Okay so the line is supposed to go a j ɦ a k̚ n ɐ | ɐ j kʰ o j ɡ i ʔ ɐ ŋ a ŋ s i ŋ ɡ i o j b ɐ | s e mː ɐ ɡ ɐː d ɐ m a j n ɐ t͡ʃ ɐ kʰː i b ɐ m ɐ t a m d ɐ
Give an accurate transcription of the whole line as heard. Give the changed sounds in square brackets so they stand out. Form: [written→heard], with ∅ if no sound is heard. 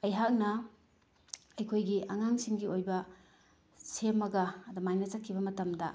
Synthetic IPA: [a→ɐ] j ɦ a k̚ n ɐ | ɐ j kʰ o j ɡ i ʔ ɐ ŋ a ŋ s i ŋ ɡ i o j b ɐ | s e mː ɐ ɡ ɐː d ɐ m a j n ɐ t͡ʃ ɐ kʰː i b ɐ m ɐ t [a→ɐ] m d ɐ